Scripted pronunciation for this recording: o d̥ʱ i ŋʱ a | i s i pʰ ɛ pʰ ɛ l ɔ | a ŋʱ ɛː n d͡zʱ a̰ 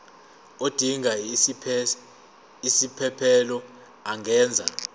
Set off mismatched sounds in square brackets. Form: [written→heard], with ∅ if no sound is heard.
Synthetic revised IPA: o d̥ʱ i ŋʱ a | i s i pʰ ɛ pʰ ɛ l ɔ | a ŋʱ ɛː n d͡zʱ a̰